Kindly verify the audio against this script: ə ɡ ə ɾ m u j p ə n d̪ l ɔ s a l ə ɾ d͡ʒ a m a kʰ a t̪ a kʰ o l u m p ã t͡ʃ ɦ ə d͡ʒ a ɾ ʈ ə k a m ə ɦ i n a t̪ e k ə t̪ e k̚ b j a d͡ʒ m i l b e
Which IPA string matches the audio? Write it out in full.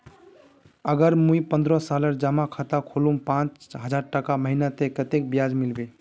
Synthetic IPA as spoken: ə ɡ ə ɾ m u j p ə n d̪ ɾ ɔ s a l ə ɾ d͡ʒ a m a kʰ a t̪ a kʰ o l u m p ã t͡ʃ ɦ ə d͡ʒ a ɾ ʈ ə k a m ə ɦ i n a t̪ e k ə t̪ e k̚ b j a d͡ʒ m i l b e